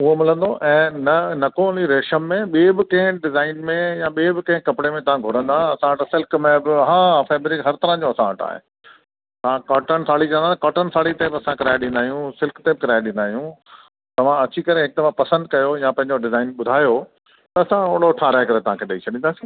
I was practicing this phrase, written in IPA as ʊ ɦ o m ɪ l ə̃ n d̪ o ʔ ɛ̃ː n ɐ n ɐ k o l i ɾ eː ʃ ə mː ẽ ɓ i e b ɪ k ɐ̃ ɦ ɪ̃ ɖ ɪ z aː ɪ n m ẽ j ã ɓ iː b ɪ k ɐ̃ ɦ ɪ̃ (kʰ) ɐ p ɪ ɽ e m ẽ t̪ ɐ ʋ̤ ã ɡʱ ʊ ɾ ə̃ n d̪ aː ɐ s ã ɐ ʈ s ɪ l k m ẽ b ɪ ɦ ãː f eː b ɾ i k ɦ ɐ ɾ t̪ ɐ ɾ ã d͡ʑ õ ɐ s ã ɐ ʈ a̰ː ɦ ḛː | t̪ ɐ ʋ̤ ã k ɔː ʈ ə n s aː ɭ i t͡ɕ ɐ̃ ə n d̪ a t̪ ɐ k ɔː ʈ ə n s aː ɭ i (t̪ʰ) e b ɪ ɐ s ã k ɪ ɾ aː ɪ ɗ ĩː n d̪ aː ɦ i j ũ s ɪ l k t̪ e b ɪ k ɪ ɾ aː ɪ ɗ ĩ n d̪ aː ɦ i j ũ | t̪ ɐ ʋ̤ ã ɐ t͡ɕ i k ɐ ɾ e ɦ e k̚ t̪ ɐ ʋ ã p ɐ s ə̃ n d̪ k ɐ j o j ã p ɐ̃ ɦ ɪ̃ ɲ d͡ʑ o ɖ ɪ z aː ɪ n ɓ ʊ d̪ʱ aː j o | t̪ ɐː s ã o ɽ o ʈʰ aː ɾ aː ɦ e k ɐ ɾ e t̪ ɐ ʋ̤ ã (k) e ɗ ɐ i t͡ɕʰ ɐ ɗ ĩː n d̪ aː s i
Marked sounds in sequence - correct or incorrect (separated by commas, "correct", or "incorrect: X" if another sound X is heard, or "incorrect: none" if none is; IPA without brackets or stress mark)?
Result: incorrect: k, incorrect: t̪, incorrect: kʰ